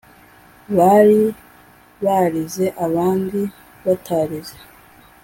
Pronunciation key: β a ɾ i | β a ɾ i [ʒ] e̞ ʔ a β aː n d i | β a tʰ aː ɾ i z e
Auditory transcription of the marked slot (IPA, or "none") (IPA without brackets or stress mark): z